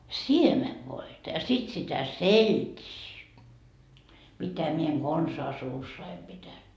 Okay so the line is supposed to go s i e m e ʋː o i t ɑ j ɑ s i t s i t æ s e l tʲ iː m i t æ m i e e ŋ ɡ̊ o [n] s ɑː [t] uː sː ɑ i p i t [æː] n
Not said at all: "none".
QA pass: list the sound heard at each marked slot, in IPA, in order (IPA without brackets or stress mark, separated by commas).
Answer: n, s, æ